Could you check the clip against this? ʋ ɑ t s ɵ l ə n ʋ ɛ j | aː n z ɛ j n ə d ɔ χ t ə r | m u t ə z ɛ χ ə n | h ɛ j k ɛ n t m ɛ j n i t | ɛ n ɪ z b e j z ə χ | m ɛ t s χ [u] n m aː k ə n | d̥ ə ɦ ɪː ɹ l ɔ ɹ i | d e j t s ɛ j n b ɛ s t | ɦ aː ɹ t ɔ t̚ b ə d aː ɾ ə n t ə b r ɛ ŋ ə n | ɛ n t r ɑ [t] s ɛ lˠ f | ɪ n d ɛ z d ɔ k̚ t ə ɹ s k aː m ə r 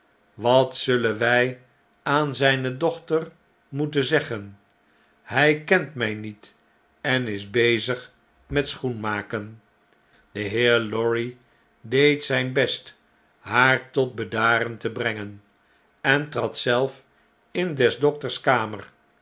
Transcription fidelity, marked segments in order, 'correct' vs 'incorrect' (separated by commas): correct, correct